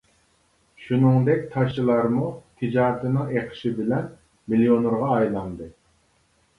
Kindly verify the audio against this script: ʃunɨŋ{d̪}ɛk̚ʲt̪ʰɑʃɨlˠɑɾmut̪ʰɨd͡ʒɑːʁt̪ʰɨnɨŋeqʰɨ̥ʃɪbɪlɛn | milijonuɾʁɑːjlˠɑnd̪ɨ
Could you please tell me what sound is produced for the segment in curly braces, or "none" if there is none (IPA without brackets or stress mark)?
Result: d̪